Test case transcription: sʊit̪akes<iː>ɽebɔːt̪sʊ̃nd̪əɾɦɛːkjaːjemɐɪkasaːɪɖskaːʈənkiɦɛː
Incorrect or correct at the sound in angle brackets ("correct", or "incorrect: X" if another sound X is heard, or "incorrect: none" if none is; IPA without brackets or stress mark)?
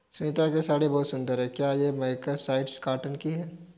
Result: incorrect: aː